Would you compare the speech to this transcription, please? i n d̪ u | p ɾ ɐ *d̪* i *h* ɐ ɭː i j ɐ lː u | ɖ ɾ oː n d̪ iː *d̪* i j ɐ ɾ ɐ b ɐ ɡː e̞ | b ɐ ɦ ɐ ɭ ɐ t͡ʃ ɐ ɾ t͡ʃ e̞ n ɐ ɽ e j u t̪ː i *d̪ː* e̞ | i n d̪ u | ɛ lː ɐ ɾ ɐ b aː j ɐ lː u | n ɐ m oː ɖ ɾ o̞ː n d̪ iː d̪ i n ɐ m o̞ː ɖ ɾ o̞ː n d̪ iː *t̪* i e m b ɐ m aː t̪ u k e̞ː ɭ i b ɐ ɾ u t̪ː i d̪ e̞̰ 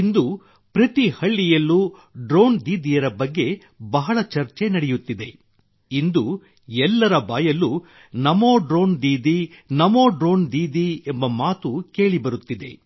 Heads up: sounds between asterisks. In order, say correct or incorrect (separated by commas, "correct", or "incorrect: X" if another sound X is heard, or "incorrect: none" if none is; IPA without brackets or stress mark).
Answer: incorrect: t̪, correct, correct, incorrect: d̪, incorrect: d̪